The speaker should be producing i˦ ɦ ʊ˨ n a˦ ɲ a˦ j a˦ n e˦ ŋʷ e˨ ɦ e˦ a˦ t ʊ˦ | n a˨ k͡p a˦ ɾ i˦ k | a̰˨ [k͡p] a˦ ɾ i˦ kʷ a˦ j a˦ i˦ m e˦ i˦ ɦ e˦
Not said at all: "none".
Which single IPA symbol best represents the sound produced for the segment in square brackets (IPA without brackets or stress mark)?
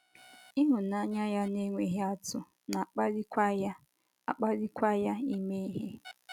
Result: k͡p